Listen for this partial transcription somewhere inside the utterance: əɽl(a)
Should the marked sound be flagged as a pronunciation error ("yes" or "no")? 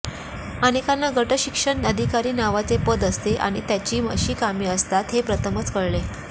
yes